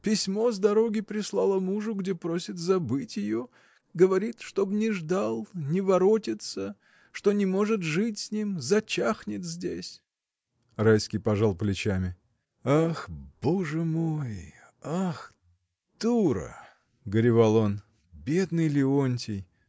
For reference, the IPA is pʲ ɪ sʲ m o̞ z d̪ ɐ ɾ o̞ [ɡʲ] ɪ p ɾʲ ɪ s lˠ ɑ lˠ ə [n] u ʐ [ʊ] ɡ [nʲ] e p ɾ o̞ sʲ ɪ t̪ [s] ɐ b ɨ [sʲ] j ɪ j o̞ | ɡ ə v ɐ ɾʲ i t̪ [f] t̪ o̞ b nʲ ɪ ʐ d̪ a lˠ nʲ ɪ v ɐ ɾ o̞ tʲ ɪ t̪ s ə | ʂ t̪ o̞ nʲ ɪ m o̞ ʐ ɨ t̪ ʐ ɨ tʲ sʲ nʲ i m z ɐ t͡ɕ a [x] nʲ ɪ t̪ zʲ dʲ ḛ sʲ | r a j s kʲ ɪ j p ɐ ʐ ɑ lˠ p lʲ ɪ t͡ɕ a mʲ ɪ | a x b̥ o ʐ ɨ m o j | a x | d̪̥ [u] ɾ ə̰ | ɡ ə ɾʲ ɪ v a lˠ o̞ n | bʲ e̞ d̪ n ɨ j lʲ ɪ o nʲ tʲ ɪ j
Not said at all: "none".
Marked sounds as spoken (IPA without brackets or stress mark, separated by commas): ɡʲ, m, ʊ, dʲ, z, tʲ, ʂ, x, u